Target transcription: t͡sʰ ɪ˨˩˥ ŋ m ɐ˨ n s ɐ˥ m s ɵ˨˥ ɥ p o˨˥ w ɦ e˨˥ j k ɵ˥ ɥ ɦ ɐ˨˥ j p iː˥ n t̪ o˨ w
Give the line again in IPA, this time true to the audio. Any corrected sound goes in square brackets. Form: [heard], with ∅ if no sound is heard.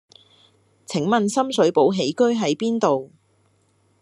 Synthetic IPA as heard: t͡sʰ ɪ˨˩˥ ŋ m ɐ˨ n s ɐ˥ m s ɵ˨˥ ɥ p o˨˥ w ɦ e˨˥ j k ɵ˥ ɥ ɦ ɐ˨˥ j p iː˥ n t̪ o˨ w